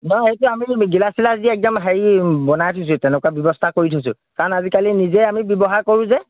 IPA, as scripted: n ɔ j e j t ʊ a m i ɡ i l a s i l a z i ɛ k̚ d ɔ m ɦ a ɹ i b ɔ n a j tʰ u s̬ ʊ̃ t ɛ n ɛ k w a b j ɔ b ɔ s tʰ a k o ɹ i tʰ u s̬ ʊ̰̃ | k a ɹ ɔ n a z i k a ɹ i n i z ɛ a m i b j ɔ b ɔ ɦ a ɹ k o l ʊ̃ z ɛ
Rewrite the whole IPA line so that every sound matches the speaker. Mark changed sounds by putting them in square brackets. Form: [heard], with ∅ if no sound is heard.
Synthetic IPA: n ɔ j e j t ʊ a m i ɡ i l a s i l a z i ɛ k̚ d ɔ m ɦ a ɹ i b ɔ n a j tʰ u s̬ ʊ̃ t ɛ n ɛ k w a b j ɔ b ɔ s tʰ a k o ɹ i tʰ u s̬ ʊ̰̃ | k a ɹ ɔ n a z i k a [l] i n i z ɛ a m i b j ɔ b ɔ ɦ a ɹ k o [ɹ] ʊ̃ z ɛ